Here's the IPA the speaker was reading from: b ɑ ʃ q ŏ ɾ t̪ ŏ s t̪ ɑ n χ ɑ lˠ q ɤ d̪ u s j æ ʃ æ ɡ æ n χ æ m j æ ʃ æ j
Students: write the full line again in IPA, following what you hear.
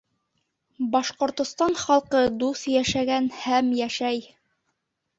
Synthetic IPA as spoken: b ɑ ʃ q ŏ ɾ t̪ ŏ s t̪ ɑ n χ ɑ lˠ q ɤ d̪ u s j æ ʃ æ ɡ æ n h æ m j æ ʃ æ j